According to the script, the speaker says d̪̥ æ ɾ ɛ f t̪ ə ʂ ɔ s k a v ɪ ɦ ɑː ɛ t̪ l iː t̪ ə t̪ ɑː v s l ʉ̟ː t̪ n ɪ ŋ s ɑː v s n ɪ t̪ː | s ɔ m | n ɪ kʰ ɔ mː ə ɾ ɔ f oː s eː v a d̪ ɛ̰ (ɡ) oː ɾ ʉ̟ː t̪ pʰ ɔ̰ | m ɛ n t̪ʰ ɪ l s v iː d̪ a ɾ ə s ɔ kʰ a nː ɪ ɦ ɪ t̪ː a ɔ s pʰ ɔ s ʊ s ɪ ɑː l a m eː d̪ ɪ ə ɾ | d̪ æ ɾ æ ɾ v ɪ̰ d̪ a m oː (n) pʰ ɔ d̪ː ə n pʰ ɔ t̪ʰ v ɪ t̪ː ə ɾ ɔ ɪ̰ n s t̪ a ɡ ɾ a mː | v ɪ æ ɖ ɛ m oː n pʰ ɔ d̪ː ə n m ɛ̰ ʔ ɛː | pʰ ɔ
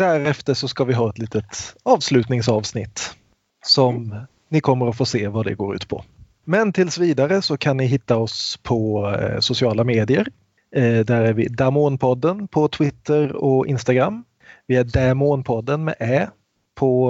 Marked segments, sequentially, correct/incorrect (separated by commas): correct, correct